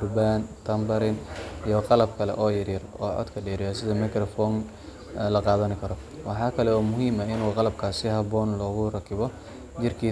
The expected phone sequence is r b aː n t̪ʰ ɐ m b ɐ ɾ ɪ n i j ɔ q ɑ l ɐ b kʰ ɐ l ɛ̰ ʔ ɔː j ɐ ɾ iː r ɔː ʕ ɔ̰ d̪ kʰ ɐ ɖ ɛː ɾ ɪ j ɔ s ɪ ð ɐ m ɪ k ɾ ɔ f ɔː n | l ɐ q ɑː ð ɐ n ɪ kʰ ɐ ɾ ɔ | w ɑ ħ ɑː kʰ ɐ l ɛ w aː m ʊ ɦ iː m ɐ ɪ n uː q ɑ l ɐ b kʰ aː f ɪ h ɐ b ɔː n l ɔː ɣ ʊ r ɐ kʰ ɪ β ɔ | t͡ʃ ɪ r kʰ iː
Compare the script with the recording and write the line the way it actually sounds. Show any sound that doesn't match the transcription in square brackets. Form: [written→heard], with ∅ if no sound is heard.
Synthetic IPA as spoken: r b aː n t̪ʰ ɐ m b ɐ ɾ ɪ n i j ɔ q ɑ l ɐ b kʰ ɐ l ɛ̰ ʔ ɔː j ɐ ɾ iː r ɔː ʕ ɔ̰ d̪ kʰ ɐ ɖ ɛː ɾ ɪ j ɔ s ɪ ð ɐ m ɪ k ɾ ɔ f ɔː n | l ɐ q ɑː ð ɐ n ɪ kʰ ɐ ɾ ɔ | w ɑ ħ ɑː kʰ ɐ l ɛ w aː m ʊ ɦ iː m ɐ ɪ n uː q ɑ l ɐ b kʰ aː [f→s] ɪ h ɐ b ɔː n l ɔː ɣ ʊ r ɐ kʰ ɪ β ɔ | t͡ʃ ɪ r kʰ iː